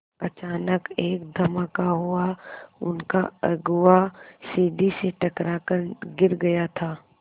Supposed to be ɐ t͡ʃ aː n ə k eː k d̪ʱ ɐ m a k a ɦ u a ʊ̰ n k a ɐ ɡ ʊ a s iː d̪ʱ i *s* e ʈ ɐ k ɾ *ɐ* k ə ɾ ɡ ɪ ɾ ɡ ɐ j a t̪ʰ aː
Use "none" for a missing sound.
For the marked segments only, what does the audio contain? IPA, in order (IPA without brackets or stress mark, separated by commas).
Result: s, a